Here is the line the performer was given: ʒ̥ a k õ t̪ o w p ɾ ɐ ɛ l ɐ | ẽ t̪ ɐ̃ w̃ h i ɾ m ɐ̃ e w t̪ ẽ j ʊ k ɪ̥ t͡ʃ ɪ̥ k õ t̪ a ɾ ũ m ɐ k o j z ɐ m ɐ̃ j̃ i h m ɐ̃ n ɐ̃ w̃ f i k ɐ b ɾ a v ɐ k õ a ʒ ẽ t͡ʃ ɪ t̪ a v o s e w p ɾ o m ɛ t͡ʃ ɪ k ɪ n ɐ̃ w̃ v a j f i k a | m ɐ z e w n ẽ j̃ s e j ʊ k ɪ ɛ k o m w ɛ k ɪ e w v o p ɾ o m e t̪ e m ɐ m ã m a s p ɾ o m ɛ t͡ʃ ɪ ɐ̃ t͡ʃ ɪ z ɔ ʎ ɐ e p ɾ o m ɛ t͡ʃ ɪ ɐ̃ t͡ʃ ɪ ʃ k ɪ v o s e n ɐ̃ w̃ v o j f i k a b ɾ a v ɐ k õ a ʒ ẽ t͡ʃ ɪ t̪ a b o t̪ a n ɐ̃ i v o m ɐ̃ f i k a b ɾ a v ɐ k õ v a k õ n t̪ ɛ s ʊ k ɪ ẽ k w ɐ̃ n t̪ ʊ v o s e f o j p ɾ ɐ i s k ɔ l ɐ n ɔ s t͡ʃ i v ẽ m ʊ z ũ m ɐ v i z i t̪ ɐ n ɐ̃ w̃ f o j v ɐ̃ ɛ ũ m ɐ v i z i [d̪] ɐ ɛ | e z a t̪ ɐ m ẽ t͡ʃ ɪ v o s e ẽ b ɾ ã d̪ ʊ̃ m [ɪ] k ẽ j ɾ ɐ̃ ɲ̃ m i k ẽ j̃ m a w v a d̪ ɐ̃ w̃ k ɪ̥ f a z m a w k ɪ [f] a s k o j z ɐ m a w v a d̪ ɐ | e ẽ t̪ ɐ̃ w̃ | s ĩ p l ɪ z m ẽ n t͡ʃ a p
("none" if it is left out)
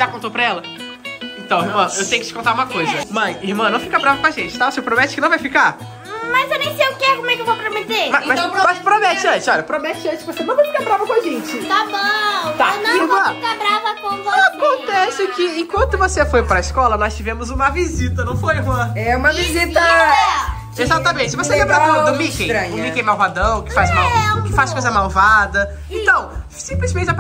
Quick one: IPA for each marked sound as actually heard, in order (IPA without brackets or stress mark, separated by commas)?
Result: t̪, i, f